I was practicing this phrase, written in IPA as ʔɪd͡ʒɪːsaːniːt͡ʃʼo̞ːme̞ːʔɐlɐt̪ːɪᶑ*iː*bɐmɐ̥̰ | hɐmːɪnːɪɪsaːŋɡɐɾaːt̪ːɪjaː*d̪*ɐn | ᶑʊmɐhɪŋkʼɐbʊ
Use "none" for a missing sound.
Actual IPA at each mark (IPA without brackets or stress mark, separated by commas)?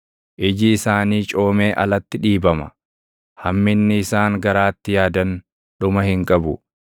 iː, d̪